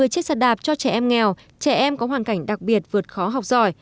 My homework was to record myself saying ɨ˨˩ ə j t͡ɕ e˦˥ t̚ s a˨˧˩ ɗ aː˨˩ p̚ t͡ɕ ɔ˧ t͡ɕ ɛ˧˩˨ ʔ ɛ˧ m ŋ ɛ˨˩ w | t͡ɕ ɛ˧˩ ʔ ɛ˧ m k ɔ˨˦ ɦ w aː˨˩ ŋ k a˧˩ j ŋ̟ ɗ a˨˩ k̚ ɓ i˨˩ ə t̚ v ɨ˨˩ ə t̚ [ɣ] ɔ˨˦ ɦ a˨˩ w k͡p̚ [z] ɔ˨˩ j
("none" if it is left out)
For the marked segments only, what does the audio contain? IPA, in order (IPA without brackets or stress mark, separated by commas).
x, z